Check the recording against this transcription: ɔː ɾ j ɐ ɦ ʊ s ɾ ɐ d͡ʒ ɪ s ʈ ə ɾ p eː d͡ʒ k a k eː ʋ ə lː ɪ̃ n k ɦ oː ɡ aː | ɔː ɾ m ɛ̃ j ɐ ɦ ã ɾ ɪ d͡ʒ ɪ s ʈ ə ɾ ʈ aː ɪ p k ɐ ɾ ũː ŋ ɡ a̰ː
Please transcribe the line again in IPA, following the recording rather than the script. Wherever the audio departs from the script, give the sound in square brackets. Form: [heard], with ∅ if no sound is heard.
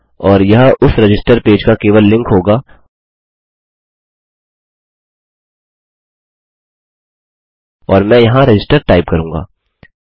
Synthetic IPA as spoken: ɔː ɾ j ɐ ɦ ʊ s ɾ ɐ d͡ʒ ɪ s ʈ ə ɾ p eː d͡ʒ k a k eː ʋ ə lː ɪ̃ [ŋ] k ɦ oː ɡ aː | ɔː ɾ m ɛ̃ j ɐ ɦ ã ɾ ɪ d͡ʒ ɪ s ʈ ə ɾ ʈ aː ɪ p k ɐ ɾ ũː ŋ ɡ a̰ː